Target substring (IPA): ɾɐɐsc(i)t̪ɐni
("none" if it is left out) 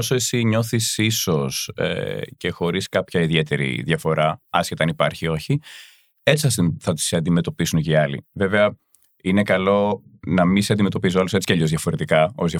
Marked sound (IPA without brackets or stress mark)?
e